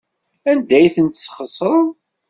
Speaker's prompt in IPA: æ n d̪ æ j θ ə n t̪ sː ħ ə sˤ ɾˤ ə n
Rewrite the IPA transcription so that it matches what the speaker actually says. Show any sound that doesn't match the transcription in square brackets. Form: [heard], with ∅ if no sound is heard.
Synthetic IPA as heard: æ n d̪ æ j θ ə n t̪ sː [χ] ə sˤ ɾˤ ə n